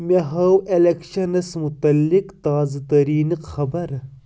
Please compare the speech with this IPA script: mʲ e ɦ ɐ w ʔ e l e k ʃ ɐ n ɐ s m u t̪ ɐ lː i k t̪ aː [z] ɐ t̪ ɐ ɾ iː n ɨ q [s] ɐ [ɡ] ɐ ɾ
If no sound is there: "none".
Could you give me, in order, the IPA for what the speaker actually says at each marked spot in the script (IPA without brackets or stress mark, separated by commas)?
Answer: z, x, b